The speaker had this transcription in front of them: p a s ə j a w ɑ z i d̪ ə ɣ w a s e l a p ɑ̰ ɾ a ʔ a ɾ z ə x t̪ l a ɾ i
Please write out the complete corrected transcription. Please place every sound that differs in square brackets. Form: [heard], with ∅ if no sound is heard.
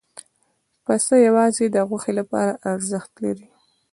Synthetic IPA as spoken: p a s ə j a w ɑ z [e] d̪ ə ɣ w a [x] e l a p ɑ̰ ɾ a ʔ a ɾ z ə x t̪ l a ɾ i